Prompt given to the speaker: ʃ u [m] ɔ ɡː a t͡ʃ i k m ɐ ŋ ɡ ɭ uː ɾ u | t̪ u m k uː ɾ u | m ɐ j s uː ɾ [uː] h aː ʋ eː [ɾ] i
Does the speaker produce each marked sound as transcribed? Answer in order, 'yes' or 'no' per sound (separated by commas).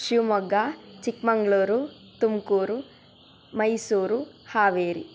yes, no, yes